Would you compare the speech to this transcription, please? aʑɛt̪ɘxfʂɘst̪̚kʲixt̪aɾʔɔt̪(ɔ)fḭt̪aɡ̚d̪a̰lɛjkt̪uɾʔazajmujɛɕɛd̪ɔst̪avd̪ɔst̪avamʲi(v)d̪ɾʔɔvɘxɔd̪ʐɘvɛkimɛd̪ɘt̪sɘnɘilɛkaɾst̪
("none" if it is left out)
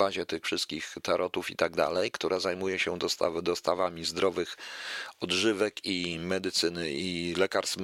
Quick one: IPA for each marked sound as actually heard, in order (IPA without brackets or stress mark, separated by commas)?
u, z